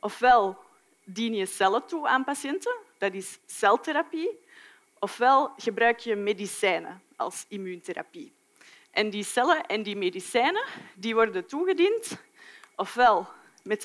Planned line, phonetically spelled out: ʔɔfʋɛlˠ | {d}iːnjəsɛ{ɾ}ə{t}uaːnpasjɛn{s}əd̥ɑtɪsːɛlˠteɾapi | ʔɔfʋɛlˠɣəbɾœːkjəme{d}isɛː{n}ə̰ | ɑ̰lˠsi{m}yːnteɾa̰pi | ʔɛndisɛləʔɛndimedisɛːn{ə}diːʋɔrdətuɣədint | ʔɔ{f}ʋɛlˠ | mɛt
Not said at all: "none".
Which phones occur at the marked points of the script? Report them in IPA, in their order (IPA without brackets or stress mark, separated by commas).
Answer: d, l, t, t, d, n, m, ə, f